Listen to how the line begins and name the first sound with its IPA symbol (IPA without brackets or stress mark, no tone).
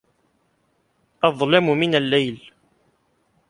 ʔ